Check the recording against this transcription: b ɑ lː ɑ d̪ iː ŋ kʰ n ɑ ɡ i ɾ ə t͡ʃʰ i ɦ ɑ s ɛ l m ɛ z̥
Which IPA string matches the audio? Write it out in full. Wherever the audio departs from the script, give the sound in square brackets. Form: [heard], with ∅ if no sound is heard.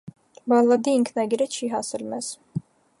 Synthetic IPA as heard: b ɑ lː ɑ d̪ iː ŋ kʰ n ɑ ɡ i ɾ ə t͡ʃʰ i ɦ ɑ s ɛ l m ɛ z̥